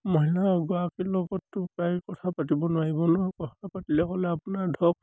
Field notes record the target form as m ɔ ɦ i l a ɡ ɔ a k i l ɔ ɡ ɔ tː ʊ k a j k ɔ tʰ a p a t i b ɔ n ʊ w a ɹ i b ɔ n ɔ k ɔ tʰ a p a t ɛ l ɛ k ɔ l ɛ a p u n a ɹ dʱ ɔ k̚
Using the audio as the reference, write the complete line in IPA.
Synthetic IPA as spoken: m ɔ ɦ i l a ɡ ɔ a k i l ɔ ɡ ɔ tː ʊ k a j k ɔ tʰ a p a t i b ɔ n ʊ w a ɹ i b ɔ n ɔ k ɔ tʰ a p a t i l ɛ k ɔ l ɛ a p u n a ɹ dʱ ɔ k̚

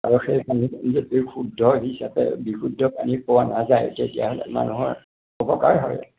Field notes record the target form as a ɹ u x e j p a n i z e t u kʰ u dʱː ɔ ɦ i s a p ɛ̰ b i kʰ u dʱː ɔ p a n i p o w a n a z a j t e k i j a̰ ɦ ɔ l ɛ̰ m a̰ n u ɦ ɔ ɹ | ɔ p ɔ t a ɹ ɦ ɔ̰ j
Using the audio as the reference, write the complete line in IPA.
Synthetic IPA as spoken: a ɹ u x e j p a n i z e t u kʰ u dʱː ɔ ɦ i s a p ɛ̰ b i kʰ u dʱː ɔ p a n i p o w a n a z a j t e t i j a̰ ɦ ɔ l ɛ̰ m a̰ n u ɦ ɔ ɹ | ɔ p ɔ k a ɹ ɦ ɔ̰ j

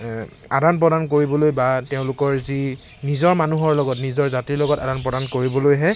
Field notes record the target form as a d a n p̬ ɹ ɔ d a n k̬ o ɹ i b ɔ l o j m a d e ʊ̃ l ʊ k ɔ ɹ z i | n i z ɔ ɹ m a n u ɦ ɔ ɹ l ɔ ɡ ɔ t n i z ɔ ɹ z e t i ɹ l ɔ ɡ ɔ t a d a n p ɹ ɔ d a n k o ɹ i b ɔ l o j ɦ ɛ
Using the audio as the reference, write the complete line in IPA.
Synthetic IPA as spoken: a d a n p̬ ɹ ɔ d a n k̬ o ɹ i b ɔ l o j b a t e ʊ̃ l ʊ k ɔ ɹ z i | n i z ɔ ɹ m a n u ɦ ɔ ɹ l ɔ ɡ ɔ t n i z ɔ ɹ z a t i ɹ l ɔ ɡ ɔ t a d a n p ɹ ɔ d a n k o ɹ i b ɔ l o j ɦ ɛ

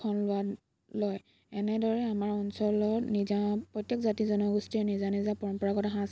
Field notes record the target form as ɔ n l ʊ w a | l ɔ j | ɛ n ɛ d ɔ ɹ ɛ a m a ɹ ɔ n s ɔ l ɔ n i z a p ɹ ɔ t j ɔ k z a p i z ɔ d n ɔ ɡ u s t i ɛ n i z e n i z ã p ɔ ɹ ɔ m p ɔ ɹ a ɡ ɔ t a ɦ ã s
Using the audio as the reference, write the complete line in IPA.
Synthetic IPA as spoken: ɔ n l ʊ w a | l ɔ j | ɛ n ɛ d ɔ ɹ ɛ a m a ɹ ɔ n s ɔ l ɔ n i z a p ɹ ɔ t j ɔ k z a t i z ɔ n ɔ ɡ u s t i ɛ n i z a n i z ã p ɔ ɹ ɔ m p ɔ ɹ a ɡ ɔ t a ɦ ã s

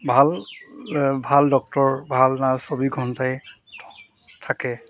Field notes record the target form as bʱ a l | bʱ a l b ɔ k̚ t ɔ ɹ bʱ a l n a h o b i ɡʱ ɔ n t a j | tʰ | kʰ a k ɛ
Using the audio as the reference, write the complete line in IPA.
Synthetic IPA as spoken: bʱ a l | bʱ a l d ɔ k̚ t ɔ ɹ bʱ a l n a s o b i ɡʱ ɔ n t a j | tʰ | tʰ a k ɛ

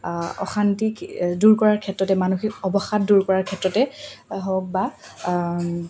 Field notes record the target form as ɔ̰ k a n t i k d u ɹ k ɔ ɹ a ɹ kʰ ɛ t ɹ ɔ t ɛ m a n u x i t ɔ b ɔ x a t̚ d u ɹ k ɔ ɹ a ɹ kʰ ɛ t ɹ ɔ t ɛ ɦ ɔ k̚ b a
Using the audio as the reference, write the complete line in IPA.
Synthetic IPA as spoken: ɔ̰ x a n t i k d u ɹ k ɔ ɹ a ɹ kʰ ɛ t ɹ ɔ t ɛ m a n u x i k ɔ b ɔ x a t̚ d u ɹ k ɔ ɹ a ɹ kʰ ɛ t ɹ ɔ t ɛ ɦ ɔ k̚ b a

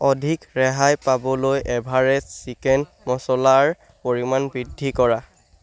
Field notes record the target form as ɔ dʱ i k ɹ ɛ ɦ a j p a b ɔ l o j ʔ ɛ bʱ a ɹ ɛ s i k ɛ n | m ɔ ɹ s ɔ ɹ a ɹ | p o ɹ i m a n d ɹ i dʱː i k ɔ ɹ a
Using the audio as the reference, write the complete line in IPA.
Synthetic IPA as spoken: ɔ dʱ i k ɹ ɛ ɦ a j p a b ɔ l o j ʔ ɛ bʱ a ɹ ɛ s i k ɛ n | m ɔ s ɔ l a ɹ | p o ɹ i m a n b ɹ i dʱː i k ɔ ɹ a

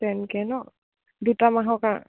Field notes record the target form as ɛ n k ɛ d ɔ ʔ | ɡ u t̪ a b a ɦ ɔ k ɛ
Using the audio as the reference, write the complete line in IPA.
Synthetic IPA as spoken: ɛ n k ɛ n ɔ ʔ | d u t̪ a m a ɦ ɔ k a

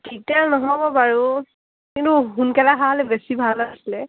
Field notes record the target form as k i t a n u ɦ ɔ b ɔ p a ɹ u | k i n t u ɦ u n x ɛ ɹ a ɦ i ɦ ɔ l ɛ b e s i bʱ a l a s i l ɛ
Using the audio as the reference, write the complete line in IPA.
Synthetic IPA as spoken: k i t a n ɔ ɦ ɔ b ɔ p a ɹ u | k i n t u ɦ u n k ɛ l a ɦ a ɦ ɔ l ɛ b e s i bʱ a l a s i l ɛ

